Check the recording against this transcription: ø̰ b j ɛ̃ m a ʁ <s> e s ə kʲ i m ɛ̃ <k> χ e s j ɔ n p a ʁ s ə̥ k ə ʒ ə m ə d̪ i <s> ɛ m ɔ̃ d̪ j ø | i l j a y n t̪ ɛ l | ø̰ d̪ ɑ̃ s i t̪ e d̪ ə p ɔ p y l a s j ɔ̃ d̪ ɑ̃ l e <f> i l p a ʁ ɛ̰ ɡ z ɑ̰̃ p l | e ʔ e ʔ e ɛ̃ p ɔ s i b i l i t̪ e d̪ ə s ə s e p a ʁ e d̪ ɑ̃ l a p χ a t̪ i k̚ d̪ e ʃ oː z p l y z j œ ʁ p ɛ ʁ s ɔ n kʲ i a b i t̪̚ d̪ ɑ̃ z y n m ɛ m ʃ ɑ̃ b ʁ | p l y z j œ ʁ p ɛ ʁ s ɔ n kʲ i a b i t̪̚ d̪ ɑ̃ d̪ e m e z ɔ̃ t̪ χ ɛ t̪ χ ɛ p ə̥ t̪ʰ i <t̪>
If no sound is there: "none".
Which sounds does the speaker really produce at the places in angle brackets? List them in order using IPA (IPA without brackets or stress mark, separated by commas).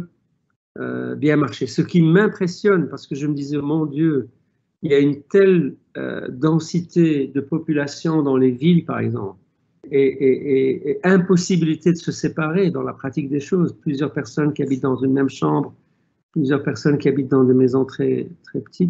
ʃ, p, z, v, t̪